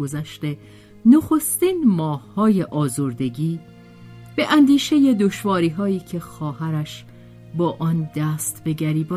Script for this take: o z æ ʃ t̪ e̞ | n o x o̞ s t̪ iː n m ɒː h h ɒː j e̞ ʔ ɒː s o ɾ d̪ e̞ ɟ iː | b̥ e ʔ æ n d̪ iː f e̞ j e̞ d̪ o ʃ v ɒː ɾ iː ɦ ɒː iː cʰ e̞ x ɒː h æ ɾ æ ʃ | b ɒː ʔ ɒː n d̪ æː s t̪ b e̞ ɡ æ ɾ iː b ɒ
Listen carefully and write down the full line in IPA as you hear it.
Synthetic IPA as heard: o z æ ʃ t̪ e̞ | n o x o̞ s t̪ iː n m ɒː h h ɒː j e̞ ʔ ɒː z o ɾ d̪ e̞ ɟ iː | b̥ e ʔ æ n d̪ iː ʃ e̞ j e̞ d̪ o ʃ v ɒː ɾ iː ɦ ɒː iː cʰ e̞ x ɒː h æ ɾ æ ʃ | b ɒː ʔ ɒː n d̪ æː s t̪ b e̞ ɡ æ ɾ iː b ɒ